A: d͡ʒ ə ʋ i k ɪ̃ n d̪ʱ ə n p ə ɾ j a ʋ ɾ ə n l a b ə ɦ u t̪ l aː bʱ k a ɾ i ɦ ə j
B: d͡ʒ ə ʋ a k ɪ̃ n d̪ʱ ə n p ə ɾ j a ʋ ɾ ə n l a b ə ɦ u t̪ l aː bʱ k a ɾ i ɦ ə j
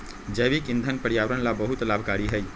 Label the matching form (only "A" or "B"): A